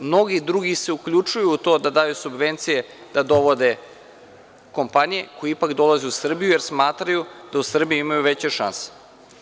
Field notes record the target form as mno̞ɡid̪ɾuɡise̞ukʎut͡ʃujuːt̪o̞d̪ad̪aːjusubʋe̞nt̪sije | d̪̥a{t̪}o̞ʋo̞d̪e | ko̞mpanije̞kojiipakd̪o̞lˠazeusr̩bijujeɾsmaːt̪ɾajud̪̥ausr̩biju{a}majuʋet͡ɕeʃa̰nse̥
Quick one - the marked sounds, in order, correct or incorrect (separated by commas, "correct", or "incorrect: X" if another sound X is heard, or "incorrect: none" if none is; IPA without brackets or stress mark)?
incorrect: d̪, incorrect: i